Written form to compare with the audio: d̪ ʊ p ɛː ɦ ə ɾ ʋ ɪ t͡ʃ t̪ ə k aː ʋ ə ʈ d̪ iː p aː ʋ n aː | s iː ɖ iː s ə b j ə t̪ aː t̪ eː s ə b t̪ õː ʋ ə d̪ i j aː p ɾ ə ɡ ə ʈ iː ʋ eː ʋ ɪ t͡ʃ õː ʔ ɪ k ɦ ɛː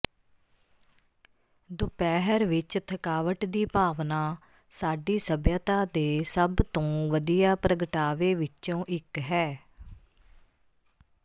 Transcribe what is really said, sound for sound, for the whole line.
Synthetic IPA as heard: d̪ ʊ p ɛː ɦ ə ɾ ʋ ɪ t͡ʃ t̪ʰ ə k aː ʋ ə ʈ d̪ iː p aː ʋ n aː | s aː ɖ iː s ə b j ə t̪ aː d̪ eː s ə b t̪ õː ʋ ə d̪ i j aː p ɾ ə ɡ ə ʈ aː ʋ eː ʋ ɪ t͡ʃ õː ʔ ɪ k ɦ ɛː